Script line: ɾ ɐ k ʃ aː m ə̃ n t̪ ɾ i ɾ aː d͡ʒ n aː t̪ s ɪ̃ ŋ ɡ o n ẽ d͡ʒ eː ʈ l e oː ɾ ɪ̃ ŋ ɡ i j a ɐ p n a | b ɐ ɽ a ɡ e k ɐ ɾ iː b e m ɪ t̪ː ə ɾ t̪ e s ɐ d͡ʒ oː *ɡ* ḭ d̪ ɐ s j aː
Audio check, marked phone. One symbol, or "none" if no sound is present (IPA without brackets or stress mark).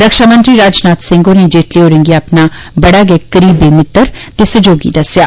ɡ